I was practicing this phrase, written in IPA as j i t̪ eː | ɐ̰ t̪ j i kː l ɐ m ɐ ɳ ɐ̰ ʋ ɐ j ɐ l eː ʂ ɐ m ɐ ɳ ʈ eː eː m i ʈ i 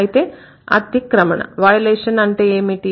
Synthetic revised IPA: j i t̪ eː | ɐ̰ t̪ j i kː ɾ ɐ m ɐ ɳ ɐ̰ ʋ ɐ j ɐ l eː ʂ ɐ n ɐ ɳ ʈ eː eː m i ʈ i